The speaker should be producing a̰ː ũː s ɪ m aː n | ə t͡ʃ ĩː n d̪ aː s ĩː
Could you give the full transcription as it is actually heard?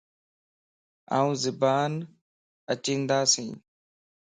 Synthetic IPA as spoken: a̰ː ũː z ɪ b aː n | ə t͡ʃ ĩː n d̪ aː s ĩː